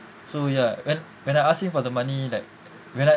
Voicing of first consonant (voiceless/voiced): voiceless